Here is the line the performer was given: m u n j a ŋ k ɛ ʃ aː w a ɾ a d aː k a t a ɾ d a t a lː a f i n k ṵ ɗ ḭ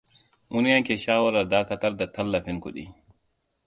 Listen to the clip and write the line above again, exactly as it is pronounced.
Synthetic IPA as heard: m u n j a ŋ k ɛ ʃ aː w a ɾ a d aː k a t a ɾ d a t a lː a f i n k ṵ ɗ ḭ